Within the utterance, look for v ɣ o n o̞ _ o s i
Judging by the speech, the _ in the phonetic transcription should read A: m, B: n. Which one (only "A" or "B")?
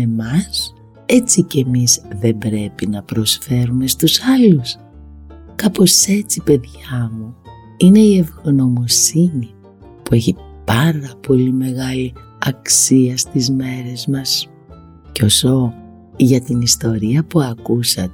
A